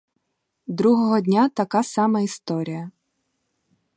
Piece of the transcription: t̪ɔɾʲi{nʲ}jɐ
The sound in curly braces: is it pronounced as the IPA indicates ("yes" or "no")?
no